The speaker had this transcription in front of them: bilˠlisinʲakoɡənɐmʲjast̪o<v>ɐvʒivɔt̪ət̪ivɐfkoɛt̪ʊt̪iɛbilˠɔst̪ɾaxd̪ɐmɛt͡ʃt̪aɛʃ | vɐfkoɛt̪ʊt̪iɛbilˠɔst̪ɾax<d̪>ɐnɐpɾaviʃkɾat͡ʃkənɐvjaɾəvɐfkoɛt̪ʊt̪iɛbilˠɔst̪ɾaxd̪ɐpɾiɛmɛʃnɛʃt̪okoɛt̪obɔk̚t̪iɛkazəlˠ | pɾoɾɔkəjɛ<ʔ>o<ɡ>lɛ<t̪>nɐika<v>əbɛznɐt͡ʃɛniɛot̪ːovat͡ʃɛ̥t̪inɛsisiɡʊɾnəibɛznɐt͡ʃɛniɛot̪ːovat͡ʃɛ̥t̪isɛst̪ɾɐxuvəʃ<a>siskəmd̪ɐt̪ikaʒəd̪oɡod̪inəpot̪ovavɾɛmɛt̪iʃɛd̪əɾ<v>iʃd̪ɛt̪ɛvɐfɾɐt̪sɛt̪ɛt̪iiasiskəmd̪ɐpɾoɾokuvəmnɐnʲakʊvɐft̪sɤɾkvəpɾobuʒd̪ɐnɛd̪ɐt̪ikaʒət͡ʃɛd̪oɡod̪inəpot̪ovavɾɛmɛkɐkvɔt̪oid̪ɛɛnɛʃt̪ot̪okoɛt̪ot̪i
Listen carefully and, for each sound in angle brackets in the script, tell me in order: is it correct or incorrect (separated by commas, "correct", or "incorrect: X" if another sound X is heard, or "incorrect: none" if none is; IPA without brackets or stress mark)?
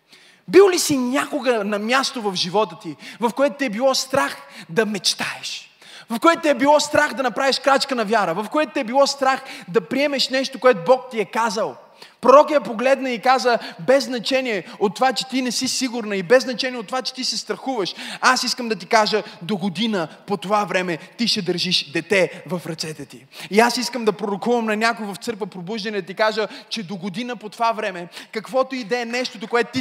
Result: correct, correct, incorrect: p, correct, incorrect: d̪, incorrect: z, correct, incorrect: ʒ